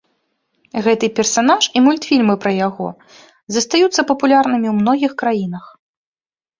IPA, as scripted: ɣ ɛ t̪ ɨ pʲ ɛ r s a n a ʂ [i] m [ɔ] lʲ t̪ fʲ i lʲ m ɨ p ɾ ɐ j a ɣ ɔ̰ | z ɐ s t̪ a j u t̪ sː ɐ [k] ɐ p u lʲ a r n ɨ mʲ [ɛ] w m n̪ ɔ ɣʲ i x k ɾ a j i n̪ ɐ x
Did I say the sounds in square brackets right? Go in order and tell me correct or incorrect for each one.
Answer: correct, incorrect, incorrect, incorrect

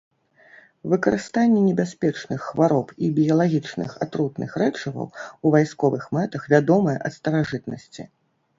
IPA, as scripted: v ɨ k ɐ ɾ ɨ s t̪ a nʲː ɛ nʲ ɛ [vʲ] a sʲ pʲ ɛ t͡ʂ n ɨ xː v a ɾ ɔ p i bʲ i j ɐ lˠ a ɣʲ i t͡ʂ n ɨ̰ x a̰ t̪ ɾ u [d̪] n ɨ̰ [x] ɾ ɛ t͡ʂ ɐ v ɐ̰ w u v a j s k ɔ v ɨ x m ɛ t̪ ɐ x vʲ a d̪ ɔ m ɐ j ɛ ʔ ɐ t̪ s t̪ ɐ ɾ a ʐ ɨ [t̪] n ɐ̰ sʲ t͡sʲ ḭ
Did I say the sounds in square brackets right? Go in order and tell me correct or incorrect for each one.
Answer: incorrect, incorrect, correct, correct

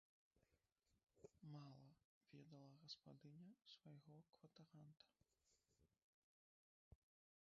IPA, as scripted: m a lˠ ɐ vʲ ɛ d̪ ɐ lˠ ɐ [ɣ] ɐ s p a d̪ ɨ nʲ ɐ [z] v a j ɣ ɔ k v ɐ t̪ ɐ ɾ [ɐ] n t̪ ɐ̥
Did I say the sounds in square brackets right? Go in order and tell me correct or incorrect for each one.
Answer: correct, incorrect, incorrect

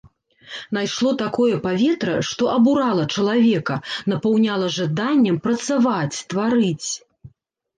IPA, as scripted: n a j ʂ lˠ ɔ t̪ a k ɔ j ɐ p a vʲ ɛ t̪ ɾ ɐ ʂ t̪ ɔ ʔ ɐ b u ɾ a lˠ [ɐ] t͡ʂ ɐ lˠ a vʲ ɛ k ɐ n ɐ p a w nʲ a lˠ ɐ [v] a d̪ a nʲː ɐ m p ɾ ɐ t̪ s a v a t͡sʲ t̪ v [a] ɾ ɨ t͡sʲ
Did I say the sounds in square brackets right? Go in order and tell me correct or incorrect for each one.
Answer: correct, incorrect, correct

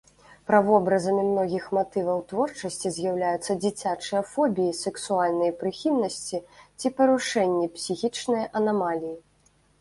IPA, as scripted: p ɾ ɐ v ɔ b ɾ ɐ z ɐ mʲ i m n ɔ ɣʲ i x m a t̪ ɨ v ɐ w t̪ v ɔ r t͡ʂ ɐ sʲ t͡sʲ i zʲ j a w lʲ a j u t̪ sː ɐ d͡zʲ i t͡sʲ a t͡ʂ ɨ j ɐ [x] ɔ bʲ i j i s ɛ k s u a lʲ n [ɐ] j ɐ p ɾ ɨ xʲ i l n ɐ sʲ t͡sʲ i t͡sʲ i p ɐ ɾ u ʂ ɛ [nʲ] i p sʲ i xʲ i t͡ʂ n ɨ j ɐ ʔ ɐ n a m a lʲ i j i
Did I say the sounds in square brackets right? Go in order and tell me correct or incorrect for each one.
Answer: incorrect, correct, incorrect

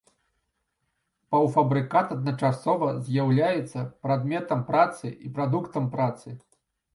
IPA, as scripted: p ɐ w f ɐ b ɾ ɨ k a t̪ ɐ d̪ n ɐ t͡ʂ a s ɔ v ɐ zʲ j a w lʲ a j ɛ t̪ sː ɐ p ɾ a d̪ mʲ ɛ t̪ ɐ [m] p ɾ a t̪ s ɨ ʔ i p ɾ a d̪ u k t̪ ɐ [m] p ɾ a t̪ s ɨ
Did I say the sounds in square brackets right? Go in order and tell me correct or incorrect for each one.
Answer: correct, correct

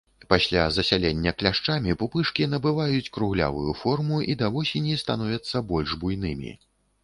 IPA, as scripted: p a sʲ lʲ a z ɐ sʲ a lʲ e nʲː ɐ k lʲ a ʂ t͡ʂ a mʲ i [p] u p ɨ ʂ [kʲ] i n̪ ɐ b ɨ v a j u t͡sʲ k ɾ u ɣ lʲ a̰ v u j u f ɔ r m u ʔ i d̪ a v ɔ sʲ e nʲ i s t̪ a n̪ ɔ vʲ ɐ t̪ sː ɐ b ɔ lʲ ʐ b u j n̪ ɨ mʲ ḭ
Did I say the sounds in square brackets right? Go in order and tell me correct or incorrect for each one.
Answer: correct, correct

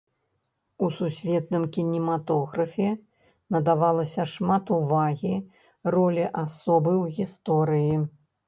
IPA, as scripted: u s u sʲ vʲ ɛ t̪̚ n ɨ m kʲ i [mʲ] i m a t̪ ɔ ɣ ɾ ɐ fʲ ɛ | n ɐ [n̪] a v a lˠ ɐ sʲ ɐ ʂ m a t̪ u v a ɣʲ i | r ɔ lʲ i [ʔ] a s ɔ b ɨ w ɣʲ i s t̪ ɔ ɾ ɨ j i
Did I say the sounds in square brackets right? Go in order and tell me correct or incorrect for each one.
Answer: incorrect, incorrect, correct

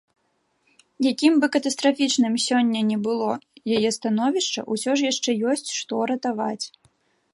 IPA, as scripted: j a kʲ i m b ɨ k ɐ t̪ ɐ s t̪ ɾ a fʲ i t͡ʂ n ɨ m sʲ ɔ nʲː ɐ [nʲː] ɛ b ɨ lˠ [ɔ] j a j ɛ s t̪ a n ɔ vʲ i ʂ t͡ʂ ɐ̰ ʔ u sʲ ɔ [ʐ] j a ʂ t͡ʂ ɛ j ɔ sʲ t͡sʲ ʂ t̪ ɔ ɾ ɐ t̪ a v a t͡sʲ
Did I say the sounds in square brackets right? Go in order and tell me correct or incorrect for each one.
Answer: incorrect, correct, correct

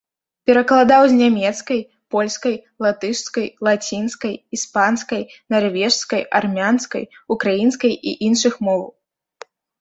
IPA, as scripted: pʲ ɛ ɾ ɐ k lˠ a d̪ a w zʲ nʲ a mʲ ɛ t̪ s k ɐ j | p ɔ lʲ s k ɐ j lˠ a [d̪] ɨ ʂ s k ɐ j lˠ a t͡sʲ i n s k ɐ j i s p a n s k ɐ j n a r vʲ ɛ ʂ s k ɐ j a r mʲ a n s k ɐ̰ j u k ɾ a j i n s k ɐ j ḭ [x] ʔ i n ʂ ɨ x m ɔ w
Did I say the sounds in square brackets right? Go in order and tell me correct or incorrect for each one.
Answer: incorrect, incorrect

